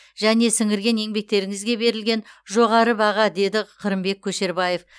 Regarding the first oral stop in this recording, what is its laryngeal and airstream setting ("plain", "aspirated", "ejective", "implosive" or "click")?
plain